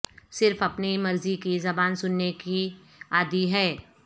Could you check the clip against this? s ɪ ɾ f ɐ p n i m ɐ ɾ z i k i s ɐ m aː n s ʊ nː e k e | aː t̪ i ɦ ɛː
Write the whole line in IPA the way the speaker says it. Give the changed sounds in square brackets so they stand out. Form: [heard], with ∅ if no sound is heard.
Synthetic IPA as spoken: s ɪ ɾ f ɐ p n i m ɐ ɾ z i k i [z] ɐ [b] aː n s ʊ nː e k [i] | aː [d̪] i ɦ ɛː

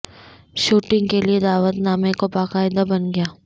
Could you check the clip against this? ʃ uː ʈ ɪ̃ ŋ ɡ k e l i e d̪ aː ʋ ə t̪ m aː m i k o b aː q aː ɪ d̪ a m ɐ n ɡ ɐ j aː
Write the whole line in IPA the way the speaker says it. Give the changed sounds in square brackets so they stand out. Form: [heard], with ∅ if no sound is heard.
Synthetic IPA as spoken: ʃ uː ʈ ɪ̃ ŋ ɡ k e l i e d̪ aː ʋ ə t̪ [n] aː m [e] k o b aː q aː ɪ d̪ a [b] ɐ n ɡ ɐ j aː

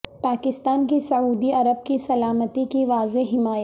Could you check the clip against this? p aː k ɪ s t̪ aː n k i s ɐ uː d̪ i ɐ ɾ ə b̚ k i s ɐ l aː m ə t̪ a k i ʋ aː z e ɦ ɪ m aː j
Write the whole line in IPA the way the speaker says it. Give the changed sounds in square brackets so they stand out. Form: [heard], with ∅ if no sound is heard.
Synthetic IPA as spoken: p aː k ɪ s t̪ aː n k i s ɐ uː d̪ i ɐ ɾ ə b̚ k i s ɐ l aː m ə t̪ [i] k i ʋ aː z e ɦ ɪ m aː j

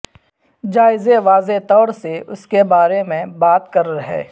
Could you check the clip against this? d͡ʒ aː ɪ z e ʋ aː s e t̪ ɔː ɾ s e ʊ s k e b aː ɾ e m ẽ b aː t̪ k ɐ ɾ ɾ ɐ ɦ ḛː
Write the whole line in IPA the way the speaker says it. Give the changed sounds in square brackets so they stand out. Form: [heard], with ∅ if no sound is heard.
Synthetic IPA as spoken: d͡ʒ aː ɪ z e ʋ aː [z] e t̪ ɔː ɾ s e ʊ s k e b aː ɾ e m ẽ b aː t̪ k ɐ ɾ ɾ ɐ ɦ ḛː

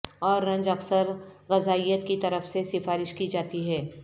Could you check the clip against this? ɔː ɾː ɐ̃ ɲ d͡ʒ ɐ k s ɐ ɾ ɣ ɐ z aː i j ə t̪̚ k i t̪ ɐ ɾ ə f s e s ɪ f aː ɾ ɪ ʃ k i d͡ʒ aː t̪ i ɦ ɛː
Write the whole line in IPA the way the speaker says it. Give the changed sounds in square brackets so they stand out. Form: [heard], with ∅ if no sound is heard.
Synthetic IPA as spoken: ɔː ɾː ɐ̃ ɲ d͡ʒ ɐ k s [ə] ɾ ɣ ɐ z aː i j ə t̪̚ k i t̪ ɐ ɾ ə f s e s ɪ f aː ɾ ɪ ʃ k i d͡ʒ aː t̪ i ɦ ɛː

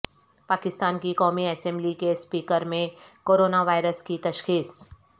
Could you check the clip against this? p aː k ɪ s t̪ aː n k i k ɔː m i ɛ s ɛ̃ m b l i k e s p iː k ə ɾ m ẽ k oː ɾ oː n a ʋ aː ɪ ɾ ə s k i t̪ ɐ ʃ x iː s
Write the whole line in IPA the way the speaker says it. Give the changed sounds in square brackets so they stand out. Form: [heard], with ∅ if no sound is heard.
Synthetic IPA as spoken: p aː k ɪ s t̪ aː n k i k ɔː m i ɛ s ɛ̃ m b l i k e s p iː k ə ɾ m ẽ k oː ɾ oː n a ʋ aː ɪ ɾ ə s k i t̪ ɐ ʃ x iː s

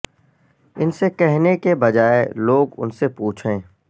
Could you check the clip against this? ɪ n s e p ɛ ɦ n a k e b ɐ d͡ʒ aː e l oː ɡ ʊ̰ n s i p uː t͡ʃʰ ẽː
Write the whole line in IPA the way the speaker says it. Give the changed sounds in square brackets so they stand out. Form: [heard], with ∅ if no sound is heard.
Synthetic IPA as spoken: ɪ n s e [k] ɛ ɦ n [e] k e b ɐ d͡ʒ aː e l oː ɡ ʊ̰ n s [e] p uː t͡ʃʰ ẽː

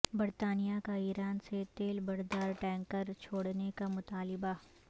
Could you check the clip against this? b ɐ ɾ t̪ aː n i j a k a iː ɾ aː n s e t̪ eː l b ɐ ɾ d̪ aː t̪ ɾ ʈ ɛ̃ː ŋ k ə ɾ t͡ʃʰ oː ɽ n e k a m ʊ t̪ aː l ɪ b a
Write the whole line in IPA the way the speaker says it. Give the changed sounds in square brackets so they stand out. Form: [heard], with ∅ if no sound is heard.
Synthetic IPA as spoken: b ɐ ɾ t̪ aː n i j a k a iː ɾ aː n s e t̪ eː l b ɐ ɾ d̪ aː [∅] ɾ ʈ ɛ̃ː ŋ k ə ɾ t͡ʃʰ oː ɽ n e k a m ʊ t̪ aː l ɪ b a

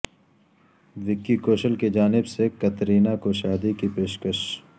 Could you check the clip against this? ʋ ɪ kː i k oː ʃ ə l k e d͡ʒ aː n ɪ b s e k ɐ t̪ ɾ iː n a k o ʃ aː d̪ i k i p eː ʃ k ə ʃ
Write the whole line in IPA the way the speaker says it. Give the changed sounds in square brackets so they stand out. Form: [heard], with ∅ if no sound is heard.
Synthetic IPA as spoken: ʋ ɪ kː i k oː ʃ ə l k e d͡ʒ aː n ɪ b s e k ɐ t̪ ɾ iː n a k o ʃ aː d̪ i k i p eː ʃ k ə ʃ

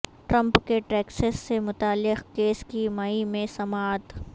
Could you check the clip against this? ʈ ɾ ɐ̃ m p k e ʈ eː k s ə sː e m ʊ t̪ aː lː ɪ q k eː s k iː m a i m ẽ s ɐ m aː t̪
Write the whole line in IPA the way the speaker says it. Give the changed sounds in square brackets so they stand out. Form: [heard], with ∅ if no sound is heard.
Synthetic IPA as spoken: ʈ ɾ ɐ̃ m p k e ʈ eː k s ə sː e m ʊ t̪ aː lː ɪ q k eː s k [i] m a i m ẽ s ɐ m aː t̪

